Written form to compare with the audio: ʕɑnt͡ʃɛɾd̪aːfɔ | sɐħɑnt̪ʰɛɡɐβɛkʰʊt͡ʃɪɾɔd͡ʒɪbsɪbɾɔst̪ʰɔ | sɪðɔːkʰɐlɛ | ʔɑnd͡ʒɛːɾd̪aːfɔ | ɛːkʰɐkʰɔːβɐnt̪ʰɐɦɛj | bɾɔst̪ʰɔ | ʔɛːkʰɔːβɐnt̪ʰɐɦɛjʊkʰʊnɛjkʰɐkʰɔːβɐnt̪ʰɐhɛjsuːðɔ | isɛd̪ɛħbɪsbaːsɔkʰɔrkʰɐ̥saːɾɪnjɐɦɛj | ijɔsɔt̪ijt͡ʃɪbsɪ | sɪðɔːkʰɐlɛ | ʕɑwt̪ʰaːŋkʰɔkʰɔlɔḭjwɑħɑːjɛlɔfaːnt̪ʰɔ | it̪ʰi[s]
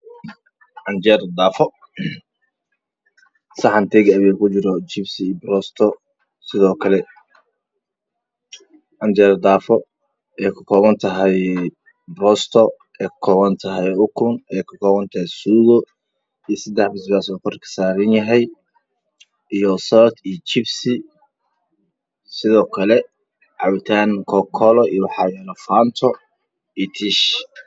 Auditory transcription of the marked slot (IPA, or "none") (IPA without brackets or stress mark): ʃ